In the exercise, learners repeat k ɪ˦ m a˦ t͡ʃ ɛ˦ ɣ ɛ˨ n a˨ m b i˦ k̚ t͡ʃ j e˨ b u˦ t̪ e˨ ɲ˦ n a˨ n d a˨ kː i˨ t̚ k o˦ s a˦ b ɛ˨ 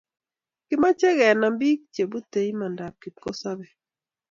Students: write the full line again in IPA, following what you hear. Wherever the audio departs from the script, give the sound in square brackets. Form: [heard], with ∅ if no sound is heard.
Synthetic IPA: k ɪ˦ m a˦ t͡ʃ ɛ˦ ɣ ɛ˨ n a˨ m b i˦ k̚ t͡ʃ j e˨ b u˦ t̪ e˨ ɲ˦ [m] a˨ n d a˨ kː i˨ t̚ k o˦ s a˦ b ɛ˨